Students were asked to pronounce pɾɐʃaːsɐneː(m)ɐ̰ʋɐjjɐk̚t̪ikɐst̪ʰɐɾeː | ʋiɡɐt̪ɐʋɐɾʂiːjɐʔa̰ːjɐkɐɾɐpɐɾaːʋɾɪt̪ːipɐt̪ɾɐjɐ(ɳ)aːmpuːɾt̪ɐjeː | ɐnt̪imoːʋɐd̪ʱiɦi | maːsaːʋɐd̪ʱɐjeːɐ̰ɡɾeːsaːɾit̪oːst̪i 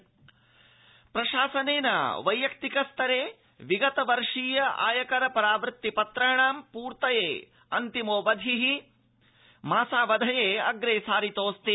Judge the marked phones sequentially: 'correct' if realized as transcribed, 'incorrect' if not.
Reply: incorrect, correct

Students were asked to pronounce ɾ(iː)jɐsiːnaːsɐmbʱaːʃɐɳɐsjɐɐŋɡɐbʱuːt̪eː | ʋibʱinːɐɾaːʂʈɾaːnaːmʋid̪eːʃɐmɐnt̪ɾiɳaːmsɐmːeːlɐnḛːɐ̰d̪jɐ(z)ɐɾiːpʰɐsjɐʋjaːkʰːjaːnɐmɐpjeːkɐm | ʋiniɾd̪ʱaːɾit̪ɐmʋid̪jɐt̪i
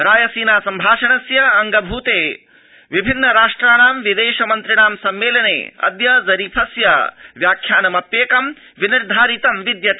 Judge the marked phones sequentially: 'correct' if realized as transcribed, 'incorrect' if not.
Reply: incorrect, correct

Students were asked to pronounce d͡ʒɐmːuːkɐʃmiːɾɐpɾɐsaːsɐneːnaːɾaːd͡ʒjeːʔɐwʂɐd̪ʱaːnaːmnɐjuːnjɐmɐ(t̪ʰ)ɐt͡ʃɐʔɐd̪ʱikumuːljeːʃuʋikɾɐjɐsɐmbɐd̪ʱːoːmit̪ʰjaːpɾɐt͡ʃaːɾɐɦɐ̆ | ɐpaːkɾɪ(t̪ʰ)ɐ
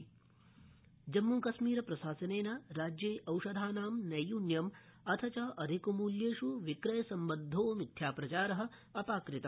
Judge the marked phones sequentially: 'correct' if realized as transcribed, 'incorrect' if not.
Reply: correct, incorrect

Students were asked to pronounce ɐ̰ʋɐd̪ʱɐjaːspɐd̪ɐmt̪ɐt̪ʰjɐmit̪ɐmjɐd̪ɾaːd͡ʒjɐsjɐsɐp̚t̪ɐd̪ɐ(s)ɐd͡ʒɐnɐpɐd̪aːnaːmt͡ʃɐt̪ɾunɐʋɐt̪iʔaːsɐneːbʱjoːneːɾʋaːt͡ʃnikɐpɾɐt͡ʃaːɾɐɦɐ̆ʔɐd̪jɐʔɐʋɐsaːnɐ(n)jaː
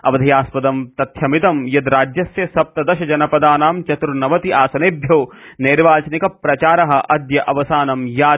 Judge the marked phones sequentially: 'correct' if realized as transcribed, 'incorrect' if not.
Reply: incorrect, incorrect

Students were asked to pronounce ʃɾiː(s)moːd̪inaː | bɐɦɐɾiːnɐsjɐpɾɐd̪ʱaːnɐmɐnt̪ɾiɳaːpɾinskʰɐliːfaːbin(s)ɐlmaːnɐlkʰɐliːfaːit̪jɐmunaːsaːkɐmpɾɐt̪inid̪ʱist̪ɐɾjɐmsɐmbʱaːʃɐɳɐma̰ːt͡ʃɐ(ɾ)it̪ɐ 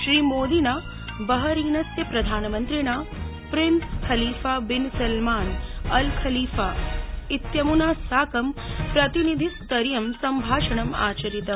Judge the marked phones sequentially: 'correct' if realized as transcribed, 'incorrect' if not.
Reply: incorrect, correct, correct

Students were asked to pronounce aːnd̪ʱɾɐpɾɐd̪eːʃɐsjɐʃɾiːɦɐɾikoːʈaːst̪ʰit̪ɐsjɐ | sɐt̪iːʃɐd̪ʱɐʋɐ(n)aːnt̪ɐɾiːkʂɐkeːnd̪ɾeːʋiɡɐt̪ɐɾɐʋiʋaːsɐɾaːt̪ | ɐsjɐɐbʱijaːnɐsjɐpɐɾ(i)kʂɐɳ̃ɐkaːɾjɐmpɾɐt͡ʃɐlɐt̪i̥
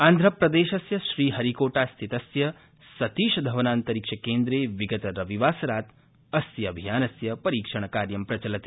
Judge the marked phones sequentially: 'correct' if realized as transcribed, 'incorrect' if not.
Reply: correct, incorrect

